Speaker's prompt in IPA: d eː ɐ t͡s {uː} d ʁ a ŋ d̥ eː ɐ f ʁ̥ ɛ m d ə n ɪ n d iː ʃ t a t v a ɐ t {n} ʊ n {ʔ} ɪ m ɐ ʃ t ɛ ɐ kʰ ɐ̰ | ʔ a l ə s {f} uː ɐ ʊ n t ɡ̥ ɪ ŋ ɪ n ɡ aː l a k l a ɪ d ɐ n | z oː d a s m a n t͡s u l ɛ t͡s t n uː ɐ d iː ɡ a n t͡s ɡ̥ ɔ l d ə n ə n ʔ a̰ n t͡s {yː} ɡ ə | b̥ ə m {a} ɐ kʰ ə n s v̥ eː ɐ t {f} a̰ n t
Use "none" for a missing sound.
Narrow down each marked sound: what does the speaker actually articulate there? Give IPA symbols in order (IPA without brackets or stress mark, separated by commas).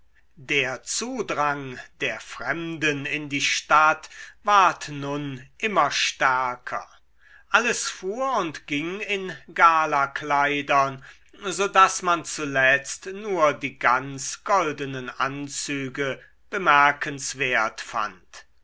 uː, n, ʔ, f, yː, ɛ, f